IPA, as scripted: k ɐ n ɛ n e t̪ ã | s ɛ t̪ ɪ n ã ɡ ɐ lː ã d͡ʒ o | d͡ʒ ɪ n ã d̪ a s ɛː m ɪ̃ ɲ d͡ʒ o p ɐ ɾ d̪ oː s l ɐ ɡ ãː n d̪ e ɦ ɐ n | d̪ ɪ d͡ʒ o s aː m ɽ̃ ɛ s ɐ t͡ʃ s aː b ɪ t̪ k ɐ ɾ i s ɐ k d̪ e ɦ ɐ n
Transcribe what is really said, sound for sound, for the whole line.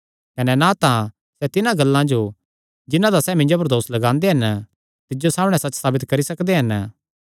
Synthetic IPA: k ɐ n ɛ n a t̪ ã | s ɛ t̪ ɪ n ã ɡ ɐ lː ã d͡ʒ o | d͡ʒ ɪ n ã d̪ a s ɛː m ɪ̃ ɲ d͡ʒ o p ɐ ɾ d̪ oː s l ɐ ɡ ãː n d̪ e ɦ ɐ n | t̪ ɪ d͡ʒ o s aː m ɽ̃ ɛ s ɐ t͡ʃ s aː b ɪ t̪ k ɐ ɾ i s ɐ k d̪ e ɦ ɐ n